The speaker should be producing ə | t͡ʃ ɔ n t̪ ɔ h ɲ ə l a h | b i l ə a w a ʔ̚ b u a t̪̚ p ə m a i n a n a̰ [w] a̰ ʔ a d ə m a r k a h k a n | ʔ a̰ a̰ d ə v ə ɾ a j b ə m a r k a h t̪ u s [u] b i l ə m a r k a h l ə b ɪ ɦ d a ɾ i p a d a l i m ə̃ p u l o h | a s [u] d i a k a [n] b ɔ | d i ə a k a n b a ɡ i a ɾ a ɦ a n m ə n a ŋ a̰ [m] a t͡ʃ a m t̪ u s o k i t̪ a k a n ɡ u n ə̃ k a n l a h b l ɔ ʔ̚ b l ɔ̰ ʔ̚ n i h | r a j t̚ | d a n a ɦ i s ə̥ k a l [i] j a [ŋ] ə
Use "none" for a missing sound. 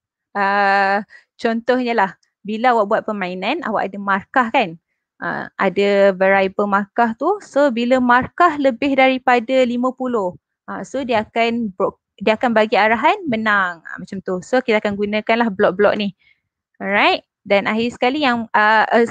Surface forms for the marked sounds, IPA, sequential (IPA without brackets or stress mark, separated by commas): w, o, o, n, m, i, ŋ